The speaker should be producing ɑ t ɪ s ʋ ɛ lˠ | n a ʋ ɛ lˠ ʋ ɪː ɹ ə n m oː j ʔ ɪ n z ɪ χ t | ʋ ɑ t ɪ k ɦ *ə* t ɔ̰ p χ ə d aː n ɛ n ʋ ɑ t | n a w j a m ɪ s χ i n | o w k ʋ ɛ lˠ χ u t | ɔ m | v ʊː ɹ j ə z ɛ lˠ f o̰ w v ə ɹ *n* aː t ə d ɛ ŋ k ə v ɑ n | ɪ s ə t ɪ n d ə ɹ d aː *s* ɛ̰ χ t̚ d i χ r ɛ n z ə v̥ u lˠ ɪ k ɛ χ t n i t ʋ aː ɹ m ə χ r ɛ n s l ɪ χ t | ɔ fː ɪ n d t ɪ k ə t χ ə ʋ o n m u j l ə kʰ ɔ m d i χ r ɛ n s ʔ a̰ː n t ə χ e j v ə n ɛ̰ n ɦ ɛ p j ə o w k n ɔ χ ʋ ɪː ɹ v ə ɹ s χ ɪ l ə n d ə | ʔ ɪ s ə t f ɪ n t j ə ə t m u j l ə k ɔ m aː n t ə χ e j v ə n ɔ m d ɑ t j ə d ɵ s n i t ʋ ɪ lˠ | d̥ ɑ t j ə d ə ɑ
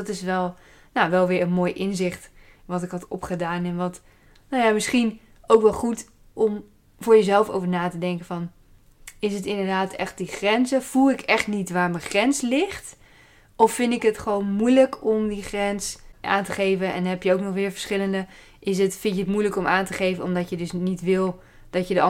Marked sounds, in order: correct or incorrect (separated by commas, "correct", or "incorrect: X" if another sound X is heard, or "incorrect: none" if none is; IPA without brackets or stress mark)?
incorrect: ɑ, correct, incorrect: t